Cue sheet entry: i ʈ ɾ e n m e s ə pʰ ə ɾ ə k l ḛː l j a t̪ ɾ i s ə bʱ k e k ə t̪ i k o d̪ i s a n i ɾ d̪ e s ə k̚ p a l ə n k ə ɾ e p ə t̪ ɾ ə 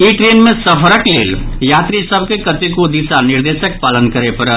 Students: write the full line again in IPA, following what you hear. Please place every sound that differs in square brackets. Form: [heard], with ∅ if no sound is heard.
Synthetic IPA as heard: i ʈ ɾ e n m e s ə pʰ ə ɾ ə k l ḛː l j a t̪ ɾ i s ə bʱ k e k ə t̪ i k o d̪ i s a n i ɾ d̪ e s ə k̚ p a l ə n k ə ɾ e p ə [∅] ɾ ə